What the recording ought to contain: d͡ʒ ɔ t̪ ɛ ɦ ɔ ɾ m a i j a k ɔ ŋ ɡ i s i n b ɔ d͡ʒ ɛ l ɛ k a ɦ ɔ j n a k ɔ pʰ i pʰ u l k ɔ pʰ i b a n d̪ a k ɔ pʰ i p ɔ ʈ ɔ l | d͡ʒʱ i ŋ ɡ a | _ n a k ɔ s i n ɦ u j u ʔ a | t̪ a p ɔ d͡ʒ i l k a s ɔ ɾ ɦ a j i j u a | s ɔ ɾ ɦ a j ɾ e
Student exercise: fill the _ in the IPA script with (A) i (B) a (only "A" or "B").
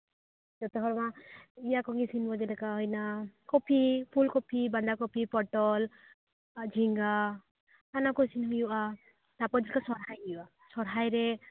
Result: B